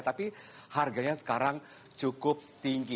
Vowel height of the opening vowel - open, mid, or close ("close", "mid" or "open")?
open